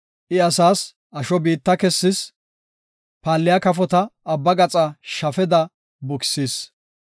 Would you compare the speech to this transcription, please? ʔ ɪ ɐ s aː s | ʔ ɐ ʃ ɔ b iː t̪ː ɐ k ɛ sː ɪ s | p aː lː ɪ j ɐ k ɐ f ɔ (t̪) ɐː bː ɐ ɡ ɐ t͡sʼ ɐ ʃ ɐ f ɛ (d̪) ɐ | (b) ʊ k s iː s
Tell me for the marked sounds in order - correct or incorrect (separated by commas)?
correct, correct, correct